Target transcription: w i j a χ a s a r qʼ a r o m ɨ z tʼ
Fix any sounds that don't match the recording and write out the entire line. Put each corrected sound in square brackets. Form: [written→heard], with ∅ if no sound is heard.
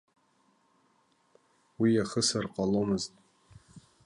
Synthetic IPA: w i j a χ [a→ə] s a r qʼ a [r→l] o m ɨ z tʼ